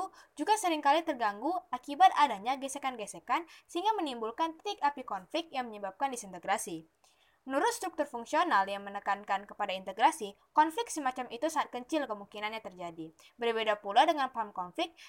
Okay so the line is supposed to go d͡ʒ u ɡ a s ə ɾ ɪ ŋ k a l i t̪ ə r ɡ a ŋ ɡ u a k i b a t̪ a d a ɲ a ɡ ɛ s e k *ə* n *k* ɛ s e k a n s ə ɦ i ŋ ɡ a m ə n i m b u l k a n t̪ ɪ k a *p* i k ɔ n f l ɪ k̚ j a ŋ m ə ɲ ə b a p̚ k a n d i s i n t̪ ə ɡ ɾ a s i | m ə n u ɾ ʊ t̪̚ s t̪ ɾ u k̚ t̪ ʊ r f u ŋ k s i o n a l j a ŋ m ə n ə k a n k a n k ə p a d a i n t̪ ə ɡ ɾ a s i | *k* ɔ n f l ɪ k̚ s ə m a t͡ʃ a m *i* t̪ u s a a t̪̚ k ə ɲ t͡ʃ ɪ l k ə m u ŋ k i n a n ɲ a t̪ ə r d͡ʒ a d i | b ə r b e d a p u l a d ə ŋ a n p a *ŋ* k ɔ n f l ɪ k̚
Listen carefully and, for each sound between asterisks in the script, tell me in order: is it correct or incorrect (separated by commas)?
incorrect, incorrect, correct, correct, correct, incorrect